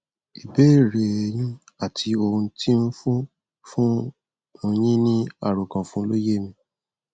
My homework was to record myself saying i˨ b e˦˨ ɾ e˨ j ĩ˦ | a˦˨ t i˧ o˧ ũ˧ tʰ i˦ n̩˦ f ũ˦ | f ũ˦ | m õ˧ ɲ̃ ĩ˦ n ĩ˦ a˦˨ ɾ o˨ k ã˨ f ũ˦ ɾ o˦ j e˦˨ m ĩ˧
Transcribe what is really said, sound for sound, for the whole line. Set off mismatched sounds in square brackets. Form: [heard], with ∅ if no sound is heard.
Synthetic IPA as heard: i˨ b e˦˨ ɾ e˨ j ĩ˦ | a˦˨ t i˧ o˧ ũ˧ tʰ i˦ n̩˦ f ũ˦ | f ũ˦ | m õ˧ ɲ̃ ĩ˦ n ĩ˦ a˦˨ ɾ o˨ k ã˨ f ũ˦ [l] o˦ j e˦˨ m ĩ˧